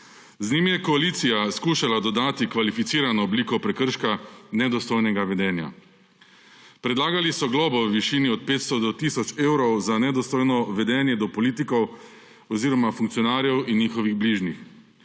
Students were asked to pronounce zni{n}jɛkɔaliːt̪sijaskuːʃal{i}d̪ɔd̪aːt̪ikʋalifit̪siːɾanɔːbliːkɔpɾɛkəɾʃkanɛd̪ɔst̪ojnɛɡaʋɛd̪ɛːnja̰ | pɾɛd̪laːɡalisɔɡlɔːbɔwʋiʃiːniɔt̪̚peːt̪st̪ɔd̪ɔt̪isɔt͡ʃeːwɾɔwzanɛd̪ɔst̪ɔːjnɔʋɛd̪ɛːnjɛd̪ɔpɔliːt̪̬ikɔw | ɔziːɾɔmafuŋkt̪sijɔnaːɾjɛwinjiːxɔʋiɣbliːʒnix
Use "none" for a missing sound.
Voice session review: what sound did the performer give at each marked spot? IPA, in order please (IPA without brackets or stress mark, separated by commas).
m, a